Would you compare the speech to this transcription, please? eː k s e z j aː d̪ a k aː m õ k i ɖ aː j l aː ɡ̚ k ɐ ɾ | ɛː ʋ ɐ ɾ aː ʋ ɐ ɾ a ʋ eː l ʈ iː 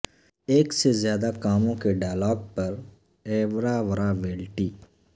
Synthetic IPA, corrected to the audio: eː k s e z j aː d̪ a k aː m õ k e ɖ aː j l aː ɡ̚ p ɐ ɾ | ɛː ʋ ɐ ɾ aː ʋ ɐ ɾ a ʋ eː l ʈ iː

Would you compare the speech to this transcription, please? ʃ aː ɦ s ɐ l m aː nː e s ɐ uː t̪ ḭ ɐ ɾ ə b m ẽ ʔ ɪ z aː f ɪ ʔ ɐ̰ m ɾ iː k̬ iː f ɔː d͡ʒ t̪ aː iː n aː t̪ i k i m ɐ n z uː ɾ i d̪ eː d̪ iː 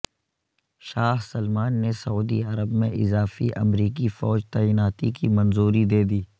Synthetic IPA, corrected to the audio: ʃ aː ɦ s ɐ l m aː nː e s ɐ uː d̪ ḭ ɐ ɾ ə b m ẽ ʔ ɪ z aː f i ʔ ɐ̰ m ɾ iː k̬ i f ɔː d͡ʒ t̪ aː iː n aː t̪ i k i m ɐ n z uː ɾ i d̪ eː d̪ iː

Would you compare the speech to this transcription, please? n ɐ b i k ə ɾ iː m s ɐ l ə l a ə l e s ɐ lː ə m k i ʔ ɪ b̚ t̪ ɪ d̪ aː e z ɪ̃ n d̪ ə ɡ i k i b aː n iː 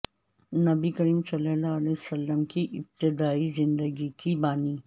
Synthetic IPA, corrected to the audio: n ɐ b i k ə ɾ iː m s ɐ l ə l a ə l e s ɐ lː ə m k i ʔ ɪ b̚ t̪ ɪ d̪ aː i z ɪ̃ n d̪ ə ɡ i k i b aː n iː

